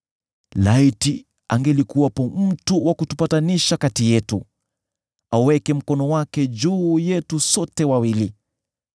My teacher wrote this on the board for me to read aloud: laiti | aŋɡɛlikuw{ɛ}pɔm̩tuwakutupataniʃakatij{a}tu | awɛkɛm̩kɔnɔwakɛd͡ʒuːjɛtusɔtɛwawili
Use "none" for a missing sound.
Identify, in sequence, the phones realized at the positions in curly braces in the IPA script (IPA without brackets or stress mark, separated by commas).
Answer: a, ɛ